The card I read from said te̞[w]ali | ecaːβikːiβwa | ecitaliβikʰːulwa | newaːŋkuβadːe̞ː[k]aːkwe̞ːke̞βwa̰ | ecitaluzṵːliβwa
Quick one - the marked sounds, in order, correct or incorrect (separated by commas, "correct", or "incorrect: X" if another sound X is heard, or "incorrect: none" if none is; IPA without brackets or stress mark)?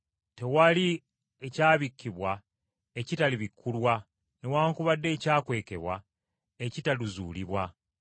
correct, incorrect: c